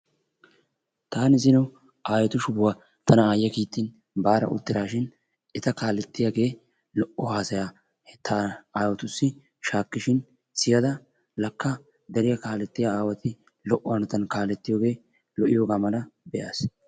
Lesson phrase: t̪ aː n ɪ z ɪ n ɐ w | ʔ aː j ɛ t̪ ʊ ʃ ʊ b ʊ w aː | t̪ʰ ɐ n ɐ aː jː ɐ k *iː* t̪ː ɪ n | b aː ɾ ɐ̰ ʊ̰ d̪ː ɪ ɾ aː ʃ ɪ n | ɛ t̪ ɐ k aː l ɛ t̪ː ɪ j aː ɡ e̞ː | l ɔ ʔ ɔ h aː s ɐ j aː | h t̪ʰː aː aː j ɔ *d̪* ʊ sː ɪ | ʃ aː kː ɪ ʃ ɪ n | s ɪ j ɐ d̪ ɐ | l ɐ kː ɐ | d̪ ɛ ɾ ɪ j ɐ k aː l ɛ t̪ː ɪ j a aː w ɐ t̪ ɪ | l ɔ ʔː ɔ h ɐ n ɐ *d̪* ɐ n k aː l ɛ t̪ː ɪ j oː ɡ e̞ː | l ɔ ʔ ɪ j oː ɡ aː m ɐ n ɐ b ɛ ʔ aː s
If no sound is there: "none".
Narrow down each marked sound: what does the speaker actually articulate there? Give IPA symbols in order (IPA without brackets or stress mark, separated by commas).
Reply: iː, t̪, t̪